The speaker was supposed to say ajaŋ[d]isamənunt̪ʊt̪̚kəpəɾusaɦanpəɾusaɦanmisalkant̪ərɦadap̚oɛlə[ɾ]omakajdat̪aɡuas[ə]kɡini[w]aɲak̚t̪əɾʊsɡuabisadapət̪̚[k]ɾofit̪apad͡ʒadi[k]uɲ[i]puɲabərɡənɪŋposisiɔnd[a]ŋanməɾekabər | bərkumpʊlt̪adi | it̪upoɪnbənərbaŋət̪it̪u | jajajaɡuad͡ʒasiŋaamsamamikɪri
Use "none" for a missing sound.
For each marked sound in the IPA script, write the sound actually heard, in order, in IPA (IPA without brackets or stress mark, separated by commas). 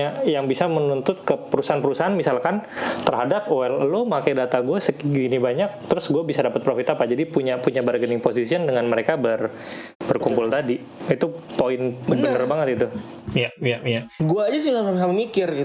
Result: b, l, ə, b, p, p, a, ə